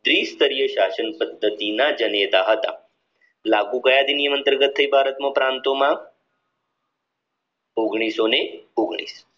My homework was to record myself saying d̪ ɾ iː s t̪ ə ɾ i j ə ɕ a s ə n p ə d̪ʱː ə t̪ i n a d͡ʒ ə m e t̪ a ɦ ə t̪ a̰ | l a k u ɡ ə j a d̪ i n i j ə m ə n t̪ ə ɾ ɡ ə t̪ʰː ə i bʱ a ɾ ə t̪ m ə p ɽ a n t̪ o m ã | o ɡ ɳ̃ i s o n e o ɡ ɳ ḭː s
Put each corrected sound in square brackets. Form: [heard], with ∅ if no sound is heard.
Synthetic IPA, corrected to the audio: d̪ ɾ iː s t̪ ə ɾ i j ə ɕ a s ə n p ə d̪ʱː ə t̪ i n a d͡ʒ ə [n] e t̪ a ɦ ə t̪ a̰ | l a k u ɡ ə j a d̪ i n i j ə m ə n t̪ ə ɾ ɡ ə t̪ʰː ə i bʱ a ɾ ə t̪ m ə p [ɾ] a n t̪ o m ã | o ɡ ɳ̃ i s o n e o ɡ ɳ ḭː s